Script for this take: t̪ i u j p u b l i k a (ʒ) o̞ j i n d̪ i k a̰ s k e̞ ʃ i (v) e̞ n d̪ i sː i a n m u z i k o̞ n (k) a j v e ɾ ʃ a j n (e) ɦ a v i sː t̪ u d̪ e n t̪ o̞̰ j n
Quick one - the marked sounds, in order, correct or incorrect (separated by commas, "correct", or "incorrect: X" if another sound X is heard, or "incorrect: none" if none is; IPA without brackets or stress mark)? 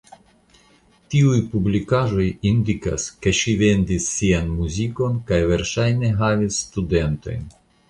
correct, correct, correct, correct